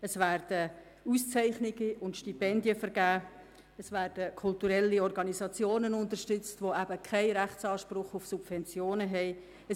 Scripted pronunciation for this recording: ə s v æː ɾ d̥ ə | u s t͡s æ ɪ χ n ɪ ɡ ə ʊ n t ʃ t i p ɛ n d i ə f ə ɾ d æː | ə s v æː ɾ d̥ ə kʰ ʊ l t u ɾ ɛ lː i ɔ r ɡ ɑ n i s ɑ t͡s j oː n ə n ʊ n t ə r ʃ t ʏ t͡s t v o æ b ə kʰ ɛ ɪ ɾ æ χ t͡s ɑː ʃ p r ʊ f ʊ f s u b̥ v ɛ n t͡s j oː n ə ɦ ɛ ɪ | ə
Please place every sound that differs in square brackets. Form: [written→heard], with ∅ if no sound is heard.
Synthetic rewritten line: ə s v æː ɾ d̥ ə | u s t͡s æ ɪ χ n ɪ ɡ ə ʊ n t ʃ t i p ɛ n d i ə f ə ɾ [d→ɡ] æː | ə s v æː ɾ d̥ ə kʰ ʊ l t u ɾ ɛ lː i ɔ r ɡ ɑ n i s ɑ t͡s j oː n ə n ʊ n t ə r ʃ t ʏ t͡s t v o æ b ə kʰ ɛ ɪ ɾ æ χ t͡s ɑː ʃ p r ʊ [f→χ] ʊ f s u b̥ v ɛ n t͡s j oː n ə ɦ ɛ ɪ | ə